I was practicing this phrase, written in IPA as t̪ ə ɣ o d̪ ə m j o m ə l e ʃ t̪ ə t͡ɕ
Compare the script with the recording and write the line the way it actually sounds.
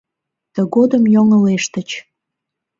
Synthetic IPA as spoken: t̪ ə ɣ o d̪ ə m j o ŋ ə l e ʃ t̪ ə t͡ɕ